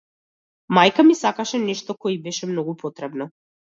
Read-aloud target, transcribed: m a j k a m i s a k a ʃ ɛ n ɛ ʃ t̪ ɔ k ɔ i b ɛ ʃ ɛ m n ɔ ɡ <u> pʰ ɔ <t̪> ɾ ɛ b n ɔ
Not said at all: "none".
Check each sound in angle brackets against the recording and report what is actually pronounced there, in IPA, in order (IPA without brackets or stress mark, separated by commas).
u, t̪